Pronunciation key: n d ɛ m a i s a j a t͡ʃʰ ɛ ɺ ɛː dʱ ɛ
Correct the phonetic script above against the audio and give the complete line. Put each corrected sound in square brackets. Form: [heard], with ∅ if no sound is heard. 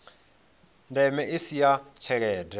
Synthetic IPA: n d ɛ m [ɛ] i s [i] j a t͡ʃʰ ɛ ɺ ɛː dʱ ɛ